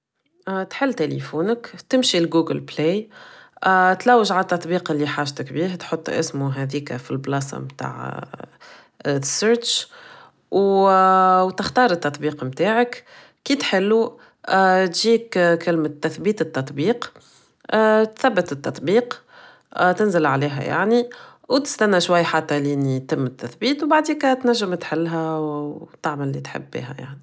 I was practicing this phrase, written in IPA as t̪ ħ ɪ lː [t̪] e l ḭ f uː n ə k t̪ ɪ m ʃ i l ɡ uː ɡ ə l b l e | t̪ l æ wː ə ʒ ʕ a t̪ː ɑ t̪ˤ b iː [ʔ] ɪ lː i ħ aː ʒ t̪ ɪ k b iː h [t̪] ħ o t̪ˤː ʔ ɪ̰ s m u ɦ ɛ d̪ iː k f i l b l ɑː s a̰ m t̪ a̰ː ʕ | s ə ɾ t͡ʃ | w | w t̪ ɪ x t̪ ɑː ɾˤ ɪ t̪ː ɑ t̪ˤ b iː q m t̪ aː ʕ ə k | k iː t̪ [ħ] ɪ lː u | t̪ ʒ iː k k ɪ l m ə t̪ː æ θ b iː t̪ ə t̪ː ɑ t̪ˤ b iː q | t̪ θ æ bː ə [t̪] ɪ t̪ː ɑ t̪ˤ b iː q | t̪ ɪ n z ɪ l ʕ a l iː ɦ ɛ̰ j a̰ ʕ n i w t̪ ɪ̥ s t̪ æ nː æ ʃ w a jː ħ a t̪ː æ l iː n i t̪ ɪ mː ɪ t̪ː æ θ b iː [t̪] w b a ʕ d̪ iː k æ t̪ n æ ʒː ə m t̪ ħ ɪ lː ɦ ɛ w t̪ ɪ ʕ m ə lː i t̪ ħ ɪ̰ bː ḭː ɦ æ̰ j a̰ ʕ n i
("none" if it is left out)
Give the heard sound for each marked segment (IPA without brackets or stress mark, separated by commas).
t̪, q, t̪, ħ, t̪, t̪